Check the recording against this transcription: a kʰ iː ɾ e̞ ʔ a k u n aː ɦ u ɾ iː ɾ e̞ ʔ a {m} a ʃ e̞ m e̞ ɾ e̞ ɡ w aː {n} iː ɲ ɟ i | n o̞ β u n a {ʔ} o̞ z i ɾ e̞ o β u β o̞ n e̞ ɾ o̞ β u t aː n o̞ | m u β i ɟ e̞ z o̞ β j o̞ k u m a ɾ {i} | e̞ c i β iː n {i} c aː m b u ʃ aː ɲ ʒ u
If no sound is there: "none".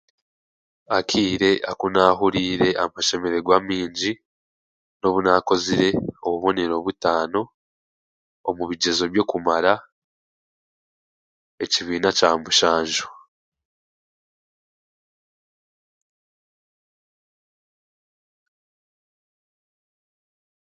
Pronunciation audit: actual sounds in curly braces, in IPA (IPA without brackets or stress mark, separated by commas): m, m, k, a, a